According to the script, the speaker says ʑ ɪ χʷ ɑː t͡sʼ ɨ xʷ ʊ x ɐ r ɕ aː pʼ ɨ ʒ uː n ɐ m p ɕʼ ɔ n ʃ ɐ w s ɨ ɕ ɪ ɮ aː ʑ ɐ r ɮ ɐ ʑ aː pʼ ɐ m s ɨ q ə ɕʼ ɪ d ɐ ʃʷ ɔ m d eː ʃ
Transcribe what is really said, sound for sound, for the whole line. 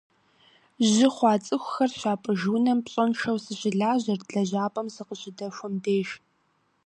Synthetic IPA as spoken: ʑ ɪ χʷ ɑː t͡sʼ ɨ xʷ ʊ x ɐ r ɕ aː pʼ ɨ ʒ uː n ɐ m p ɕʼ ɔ n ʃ ɐ w s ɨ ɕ ɪ ɮ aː ʑ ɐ r ɮ ɐ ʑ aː pʼ ɐ m s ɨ q ə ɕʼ ɪ d ɐ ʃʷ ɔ m d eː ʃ